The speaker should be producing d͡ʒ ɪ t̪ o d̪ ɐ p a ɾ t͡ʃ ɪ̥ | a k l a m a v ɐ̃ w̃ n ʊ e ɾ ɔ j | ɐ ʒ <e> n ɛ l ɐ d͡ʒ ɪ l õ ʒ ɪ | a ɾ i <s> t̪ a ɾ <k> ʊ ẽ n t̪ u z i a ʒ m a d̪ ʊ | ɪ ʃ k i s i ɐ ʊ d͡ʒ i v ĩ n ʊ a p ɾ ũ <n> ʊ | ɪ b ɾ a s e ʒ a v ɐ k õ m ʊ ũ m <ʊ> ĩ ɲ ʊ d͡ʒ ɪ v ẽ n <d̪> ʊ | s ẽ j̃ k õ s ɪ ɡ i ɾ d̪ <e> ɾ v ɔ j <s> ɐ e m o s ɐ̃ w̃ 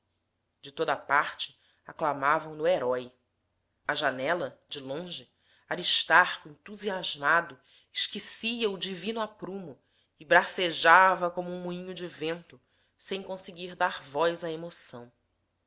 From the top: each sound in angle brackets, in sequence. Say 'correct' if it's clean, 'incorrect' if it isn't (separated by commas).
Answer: incorrect, incorrect, correct, incorrect, incorrect, incorrect, incorrect, incorrect